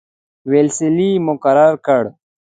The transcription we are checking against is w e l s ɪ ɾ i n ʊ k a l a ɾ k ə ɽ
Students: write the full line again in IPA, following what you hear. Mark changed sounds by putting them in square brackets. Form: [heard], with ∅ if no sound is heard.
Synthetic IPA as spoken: w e l s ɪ [l] i [m] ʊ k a [ɾ] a ɾ k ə ɽ